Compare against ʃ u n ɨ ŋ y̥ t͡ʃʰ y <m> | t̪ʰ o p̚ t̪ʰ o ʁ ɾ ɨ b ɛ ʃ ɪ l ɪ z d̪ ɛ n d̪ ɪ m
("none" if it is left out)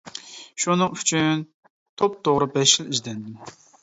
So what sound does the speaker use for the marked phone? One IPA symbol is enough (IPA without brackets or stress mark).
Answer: n